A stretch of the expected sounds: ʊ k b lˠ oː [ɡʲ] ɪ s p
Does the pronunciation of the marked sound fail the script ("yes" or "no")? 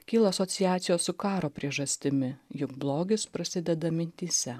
no